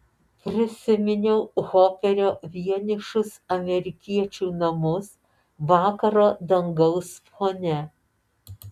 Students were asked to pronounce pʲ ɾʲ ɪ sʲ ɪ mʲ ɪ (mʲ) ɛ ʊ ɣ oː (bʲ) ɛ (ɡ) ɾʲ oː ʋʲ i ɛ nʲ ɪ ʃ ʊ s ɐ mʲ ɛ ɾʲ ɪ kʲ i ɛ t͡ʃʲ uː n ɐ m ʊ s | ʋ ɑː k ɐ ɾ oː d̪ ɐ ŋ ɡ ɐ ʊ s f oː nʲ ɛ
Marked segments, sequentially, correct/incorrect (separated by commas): incorrect, incorrect, incorrect